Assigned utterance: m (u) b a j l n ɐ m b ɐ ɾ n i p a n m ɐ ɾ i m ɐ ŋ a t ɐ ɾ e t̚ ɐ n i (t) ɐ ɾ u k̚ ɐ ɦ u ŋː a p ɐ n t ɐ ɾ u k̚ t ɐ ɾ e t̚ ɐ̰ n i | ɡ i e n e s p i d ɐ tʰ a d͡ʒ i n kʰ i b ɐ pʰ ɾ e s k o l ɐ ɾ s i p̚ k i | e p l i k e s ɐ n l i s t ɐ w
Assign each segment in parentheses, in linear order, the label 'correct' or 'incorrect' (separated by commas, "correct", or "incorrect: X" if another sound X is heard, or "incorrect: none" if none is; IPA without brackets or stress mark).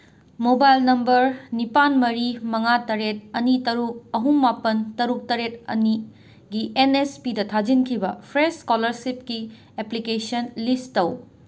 incorrect: o, correct